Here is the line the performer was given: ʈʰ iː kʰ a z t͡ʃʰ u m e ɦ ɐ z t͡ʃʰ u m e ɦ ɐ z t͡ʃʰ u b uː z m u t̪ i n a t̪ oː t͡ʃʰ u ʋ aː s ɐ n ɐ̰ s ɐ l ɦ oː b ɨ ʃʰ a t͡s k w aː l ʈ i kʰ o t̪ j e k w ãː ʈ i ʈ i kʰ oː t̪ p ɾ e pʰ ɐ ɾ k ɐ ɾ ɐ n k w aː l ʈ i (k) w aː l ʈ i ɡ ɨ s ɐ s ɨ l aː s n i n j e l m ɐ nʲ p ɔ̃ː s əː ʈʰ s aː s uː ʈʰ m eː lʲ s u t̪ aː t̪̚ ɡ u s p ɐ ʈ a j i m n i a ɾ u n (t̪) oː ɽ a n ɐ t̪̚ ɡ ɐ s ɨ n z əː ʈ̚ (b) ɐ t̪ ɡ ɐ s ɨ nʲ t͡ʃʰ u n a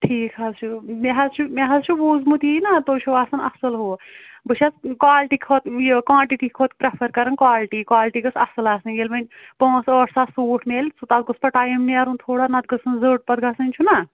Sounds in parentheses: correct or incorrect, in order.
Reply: correct, incorrect, incorrect

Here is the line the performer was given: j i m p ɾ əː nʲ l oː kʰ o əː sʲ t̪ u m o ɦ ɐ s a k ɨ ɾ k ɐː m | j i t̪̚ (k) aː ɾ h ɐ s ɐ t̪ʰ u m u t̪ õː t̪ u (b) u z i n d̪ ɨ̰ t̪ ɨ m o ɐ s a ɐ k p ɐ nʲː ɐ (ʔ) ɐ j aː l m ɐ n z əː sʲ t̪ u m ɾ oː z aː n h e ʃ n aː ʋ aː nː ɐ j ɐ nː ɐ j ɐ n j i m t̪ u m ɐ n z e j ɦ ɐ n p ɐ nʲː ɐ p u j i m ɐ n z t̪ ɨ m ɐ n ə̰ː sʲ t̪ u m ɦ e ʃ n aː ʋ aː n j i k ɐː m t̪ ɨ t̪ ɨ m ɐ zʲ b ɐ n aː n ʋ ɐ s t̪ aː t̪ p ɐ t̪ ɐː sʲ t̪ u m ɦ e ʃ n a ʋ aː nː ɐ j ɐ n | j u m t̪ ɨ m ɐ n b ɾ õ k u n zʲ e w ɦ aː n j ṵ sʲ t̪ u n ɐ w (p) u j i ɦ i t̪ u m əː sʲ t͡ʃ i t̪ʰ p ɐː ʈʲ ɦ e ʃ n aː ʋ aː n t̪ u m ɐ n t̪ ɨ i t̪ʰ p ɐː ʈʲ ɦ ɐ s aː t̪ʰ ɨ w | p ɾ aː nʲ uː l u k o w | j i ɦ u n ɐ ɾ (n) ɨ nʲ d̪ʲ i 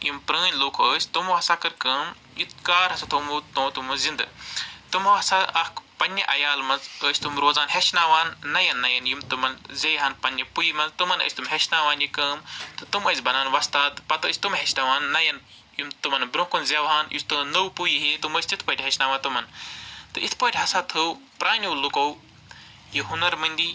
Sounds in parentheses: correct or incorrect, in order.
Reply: correct, incorrect, correct, correct, incorrect

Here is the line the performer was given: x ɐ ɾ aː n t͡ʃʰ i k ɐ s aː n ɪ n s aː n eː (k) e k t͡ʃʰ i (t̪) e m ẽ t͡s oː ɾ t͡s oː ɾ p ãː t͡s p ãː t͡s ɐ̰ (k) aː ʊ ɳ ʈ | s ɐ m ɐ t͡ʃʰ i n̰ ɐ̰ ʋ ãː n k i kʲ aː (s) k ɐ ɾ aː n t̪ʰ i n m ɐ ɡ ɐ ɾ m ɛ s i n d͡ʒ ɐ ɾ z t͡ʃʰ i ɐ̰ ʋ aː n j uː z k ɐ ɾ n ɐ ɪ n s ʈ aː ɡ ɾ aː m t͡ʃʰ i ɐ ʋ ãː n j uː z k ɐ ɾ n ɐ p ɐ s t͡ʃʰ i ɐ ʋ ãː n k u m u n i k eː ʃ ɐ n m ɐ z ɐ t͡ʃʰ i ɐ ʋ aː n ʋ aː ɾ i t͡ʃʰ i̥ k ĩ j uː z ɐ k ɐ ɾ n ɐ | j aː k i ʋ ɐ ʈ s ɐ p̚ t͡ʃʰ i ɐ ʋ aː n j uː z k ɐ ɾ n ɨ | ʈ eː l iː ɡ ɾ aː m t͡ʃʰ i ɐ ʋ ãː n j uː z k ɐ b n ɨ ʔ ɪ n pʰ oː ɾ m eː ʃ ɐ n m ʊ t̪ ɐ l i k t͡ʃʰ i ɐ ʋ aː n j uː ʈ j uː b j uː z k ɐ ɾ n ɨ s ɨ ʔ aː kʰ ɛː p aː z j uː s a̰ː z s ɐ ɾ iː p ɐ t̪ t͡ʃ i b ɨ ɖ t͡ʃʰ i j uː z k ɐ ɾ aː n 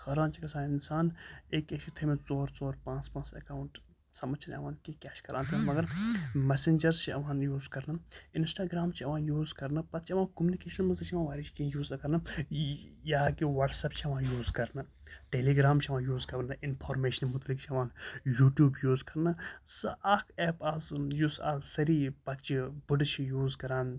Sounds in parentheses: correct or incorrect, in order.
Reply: correct, incorrect, correct, incorrect

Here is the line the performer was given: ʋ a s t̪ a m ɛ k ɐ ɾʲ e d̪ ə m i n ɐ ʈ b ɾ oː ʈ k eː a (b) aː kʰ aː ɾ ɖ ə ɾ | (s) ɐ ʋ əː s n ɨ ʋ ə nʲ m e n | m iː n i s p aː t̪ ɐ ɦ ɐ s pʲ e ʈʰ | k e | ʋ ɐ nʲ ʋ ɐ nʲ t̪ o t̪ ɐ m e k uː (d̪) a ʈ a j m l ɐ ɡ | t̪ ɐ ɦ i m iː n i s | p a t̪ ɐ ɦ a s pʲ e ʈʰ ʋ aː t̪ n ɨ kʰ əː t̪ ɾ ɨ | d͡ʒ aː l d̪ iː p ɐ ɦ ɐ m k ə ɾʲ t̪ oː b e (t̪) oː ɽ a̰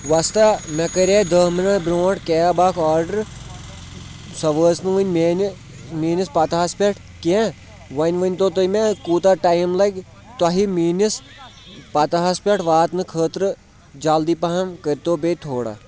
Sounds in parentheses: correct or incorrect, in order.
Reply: correct, correct, incorrect, incorrect

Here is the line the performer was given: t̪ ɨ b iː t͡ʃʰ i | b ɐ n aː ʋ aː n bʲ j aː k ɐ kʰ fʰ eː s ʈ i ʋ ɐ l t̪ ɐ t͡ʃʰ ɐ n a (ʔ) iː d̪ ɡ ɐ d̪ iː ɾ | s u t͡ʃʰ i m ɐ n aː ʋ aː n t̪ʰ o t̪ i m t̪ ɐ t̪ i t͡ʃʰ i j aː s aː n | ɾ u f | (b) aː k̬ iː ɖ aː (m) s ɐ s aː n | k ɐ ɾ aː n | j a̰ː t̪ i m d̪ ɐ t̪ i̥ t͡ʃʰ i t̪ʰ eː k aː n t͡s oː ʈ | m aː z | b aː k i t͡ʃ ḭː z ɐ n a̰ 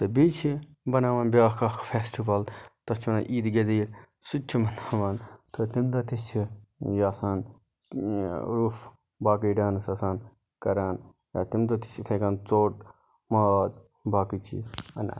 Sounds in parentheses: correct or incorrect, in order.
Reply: correct, correct, incorrect

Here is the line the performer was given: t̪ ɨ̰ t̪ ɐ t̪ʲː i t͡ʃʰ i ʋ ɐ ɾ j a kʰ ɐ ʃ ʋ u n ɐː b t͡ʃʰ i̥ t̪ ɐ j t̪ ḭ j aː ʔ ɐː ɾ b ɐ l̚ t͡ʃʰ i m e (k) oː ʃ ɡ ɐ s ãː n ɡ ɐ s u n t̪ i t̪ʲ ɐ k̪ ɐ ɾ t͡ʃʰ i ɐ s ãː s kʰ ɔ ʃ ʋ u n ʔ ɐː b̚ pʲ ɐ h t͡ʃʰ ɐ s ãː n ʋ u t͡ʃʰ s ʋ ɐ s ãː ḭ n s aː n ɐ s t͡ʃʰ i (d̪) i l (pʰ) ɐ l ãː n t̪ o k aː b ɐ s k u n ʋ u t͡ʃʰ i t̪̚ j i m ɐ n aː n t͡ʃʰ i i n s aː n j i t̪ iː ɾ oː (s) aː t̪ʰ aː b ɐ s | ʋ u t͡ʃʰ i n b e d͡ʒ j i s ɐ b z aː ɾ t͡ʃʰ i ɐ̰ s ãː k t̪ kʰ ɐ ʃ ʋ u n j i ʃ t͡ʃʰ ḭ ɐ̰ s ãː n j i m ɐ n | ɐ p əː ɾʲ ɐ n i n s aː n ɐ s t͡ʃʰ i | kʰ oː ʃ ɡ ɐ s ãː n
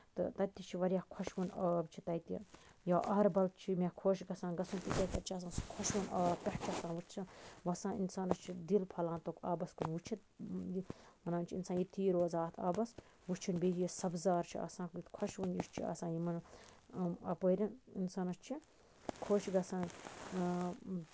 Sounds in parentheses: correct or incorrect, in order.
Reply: incorrect, correct, correct, incorrect

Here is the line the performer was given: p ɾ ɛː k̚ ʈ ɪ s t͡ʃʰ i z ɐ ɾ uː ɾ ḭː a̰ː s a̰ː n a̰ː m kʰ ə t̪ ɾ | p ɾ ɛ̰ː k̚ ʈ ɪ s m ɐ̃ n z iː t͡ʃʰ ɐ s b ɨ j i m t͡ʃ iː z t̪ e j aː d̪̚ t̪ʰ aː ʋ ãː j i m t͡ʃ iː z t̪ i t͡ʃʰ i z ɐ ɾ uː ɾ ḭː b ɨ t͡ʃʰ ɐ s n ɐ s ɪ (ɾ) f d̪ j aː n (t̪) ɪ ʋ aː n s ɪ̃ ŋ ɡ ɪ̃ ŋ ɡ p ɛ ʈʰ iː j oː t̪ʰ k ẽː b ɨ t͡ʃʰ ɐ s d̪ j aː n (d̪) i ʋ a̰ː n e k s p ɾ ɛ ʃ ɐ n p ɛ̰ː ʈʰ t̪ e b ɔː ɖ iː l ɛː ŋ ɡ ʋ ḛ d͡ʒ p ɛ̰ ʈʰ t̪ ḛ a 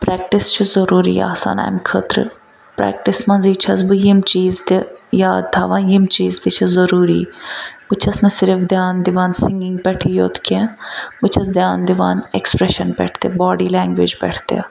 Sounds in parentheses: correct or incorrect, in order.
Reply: correct, incorrect, correct

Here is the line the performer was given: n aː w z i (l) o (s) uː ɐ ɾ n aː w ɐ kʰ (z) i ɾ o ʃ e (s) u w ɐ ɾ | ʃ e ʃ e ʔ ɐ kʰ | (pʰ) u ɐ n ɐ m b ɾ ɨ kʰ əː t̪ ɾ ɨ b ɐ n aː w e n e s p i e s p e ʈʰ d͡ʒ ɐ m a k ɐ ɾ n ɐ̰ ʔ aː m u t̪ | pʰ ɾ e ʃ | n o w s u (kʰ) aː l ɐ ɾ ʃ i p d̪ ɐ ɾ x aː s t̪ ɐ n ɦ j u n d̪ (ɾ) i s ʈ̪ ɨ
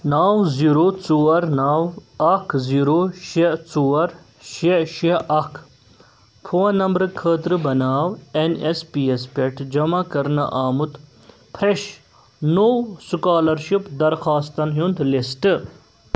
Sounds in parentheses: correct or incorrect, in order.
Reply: incorrect, incorrect, correct, incorrect, correct, incorrect, incorrect

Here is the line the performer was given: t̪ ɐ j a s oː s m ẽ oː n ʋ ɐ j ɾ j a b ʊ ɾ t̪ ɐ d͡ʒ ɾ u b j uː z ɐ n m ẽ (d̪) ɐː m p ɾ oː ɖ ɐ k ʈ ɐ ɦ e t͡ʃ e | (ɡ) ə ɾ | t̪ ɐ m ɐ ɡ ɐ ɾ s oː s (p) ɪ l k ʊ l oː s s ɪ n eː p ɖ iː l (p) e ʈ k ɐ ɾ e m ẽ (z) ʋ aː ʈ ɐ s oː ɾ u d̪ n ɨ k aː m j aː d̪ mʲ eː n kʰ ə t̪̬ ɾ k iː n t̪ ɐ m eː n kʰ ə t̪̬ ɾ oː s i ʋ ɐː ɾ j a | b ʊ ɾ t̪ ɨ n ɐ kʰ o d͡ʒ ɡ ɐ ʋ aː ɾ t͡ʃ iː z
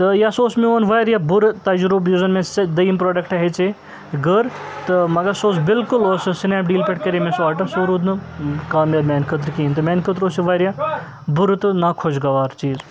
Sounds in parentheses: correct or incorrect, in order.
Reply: correct, correct, incorrect, correct, incorrect

